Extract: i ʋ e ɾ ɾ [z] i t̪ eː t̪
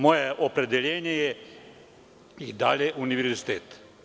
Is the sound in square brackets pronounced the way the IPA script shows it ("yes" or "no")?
yes